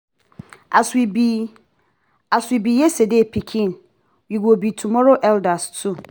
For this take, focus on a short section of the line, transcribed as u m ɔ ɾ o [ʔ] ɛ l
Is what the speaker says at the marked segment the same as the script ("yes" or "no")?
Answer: yes